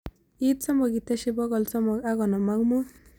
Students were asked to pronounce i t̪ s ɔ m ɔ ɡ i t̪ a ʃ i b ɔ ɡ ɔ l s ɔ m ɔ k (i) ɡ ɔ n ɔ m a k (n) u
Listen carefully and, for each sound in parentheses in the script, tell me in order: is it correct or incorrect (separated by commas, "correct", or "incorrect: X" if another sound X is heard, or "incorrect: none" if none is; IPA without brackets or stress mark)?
incorrect: a, incorrect: m